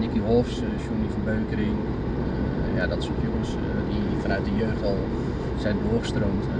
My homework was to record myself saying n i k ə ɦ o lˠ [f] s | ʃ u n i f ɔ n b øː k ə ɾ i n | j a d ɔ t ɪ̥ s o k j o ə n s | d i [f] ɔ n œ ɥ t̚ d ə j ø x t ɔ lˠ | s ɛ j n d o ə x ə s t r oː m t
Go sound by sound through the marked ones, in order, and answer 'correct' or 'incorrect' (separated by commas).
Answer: correct, correct